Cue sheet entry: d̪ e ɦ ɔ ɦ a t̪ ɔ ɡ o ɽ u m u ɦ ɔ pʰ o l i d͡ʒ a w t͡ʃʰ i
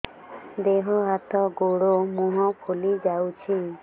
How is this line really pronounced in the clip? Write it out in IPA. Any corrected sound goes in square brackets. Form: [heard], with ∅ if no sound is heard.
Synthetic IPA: d̪ e ɦ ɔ ɦ a t̪ ɔ ɡ o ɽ [o] m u ɦ ɔ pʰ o l i d͡ʒ a w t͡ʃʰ i